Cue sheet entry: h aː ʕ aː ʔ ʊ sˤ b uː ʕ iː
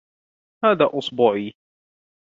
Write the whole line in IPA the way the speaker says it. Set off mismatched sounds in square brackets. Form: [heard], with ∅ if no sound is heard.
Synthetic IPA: h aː [ð] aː ʔ ʊ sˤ b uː ʕ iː